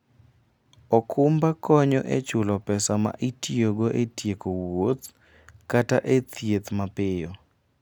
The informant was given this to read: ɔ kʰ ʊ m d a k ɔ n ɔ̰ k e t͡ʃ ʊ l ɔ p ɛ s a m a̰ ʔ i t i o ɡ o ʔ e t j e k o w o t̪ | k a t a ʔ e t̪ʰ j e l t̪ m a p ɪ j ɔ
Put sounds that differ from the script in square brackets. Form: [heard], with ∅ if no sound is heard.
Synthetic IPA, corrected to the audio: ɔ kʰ ʊ m [b] a k ɔ [ɲ] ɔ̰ [ʔ] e t͡ʃ ʊ l ɔ p ɛ s a m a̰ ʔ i t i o ɡ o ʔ e t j e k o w o t̪ | k a t a ʔ e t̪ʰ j e [∅] t̪ m a p ɪ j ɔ